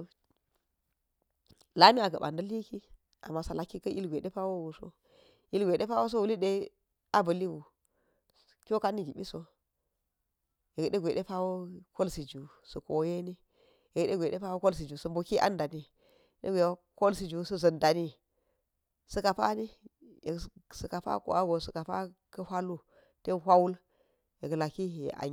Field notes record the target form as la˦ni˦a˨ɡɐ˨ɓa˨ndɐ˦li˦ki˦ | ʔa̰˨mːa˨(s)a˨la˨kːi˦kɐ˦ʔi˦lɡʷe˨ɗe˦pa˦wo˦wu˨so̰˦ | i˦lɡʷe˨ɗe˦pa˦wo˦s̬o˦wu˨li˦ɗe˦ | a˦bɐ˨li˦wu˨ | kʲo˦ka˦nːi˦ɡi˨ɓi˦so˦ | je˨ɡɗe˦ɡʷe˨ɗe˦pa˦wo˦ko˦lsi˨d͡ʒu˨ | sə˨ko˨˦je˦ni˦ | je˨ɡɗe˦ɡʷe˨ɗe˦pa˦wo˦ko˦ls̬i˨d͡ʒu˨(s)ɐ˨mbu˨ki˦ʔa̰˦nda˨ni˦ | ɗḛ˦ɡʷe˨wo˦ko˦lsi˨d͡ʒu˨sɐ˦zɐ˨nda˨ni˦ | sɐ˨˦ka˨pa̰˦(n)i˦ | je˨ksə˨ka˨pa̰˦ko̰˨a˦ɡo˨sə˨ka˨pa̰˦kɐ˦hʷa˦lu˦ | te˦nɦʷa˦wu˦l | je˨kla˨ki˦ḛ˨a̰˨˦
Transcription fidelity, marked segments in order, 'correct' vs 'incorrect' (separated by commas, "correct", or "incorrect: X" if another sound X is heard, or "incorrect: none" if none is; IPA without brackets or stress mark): correct, correct, correct